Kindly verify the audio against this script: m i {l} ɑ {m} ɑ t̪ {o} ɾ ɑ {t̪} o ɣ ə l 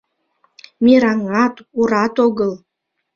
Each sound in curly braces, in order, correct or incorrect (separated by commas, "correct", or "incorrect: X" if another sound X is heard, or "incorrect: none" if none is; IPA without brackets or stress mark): incorrect: ɾ, incorrect: ŋ, incorrect: u, correct